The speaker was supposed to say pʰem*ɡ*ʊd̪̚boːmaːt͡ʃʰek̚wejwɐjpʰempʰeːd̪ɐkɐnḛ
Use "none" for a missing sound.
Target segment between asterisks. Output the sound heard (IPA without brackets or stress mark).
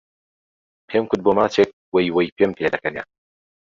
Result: k